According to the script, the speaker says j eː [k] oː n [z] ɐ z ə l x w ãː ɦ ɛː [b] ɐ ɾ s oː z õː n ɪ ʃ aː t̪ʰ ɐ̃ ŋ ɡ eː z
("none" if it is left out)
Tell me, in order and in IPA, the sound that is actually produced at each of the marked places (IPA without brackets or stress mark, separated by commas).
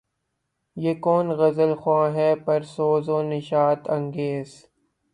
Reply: k, ɣ, p